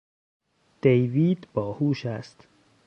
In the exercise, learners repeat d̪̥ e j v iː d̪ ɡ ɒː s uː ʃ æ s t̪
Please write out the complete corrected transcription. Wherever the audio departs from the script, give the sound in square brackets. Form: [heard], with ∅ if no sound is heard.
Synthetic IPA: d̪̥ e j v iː d̪ [b] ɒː [h] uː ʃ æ s t̪